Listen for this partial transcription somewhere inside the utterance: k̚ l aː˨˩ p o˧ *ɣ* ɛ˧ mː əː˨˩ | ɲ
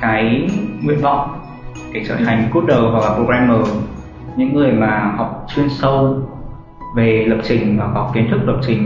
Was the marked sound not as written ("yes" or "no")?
no